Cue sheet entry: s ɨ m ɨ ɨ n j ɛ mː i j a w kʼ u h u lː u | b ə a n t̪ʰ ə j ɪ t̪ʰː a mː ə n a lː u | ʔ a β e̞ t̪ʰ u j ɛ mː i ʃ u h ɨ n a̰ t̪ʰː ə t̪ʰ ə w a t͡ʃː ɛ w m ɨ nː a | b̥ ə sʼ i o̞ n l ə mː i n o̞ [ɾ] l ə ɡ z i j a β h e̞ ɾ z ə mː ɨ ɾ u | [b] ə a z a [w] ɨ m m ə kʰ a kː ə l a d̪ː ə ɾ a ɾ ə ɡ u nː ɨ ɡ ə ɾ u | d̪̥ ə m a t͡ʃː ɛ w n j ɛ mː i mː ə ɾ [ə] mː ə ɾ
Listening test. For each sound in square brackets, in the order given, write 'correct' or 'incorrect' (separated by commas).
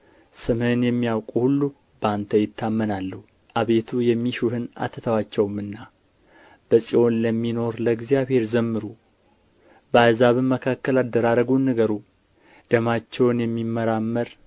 correct, correct, incorrect, incorrect